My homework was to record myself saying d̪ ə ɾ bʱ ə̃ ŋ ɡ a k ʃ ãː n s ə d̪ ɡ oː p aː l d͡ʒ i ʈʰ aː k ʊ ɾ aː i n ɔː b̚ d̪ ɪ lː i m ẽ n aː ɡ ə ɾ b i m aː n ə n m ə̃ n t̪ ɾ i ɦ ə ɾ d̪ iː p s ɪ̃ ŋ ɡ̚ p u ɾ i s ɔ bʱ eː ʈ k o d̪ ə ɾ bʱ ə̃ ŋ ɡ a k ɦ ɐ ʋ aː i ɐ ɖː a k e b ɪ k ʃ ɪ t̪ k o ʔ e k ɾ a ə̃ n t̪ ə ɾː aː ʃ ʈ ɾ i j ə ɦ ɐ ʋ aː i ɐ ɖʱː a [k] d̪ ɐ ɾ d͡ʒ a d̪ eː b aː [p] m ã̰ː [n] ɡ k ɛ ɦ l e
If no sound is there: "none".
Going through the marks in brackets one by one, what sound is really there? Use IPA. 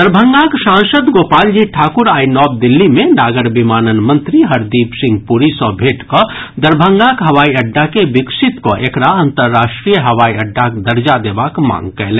k, k, ŋ

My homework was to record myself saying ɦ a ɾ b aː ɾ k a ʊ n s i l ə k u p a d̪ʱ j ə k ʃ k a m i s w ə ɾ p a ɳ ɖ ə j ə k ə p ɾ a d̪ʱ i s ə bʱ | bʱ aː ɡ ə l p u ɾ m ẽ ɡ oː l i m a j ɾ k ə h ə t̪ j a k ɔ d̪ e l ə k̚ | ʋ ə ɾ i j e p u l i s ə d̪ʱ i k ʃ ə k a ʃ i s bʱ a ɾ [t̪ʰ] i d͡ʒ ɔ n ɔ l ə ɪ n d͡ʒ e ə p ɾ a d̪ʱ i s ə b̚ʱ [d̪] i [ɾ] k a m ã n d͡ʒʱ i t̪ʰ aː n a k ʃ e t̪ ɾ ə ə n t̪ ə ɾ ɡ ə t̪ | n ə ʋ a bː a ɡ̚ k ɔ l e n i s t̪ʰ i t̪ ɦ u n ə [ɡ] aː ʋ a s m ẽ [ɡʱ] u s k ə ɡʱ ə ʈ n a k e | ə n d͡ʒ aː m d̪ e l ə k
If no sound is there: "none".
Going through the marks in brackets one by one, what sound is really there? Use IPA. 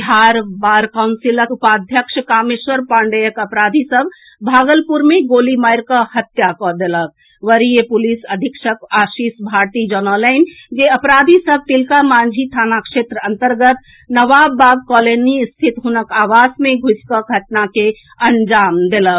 t̪, t̪, l, k, ɡʱ

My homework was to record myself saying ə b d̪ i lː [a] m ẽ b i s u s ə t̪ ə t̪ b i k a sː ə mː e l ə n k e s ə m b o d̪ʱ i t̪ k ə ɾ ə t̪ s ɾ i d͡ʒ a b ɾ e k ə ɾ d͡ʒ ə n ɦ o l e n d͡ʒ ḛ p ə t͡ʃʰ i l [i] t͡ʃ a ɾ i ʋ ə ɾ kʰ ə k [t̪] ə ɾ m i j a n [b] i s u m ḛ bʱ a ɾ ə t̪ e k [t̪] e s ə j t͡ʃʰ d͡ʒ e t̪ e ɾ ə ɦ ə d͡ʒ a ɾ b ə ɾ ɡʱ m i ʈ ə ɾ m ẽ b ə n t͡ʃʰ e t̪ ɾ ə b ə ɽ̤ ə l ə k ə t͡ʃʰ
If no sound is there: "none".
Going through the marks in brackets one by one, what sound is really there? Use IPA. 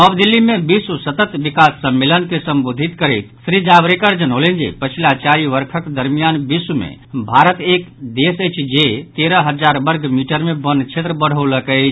i, a, d̪, b, d̪

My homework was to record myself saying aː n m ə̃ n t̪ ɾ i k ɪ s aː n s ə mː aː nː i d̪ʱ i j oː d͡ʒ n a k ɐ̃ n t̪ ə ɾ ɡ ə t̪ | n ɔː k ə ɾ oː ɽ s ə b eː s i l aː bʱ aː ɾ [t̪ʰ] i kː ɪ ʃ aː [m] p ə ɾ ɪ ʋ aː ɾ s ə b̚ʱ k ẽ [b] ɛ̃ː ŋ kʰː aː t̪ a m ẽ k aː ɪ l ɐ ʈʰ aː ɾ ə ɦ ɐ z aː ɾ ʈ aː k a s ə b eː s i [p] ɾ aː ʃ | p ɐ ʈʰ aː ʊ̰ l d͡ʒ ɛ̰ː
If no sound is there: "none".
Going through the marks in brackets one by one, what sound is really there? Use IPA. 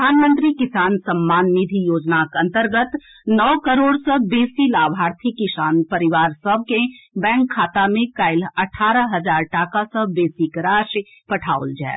t̪ʰ, n, b, k

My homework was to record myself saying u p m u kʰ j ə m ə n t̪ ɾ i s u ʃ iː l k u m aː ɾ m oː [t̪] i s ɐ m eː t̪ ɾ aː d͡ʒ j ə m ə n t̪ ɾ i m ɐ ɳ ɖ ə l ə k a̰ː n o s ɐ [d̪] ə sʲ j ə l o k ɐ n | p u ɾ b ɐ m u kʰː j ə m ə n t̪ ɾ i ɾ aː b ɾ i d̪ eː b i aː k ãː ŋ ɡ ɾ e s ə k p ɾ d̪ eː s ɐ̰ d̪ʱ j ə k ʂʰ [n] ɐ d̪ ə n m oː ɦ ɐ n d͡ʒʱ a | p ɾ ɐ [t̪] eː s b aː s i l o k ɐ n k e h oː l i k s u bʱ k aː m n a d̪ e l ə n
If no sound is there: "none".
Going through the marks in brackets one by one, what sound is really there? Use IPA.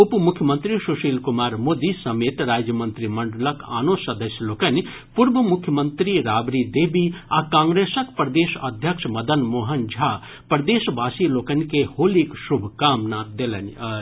d̪, d̪, m, d̪

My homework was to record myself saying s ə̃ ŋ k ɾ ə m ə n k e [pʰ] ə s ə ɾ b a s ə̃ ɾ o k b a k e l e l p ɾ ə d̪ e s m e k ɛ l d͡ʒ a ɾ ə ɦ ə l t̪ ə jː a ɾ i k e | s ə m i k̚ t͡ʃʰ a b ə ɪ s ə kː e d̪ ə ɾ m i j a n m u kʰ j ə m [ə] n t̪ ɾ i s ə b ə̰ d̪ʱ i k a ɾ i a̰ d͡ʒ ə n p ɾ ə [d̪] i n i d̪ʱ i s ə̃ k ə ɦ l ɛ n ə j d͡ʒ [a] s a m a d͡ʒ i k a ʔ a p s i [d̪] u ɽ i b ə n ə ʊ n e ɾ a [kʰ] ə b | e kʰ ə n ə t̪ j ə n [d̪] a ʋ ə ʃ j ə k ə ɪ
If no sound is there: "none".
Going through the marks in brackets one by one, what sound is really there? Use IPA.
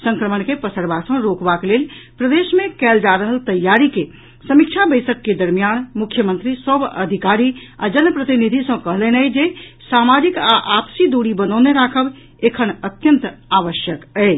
p, ə, t̪, e, d̪, kʰ, t̪

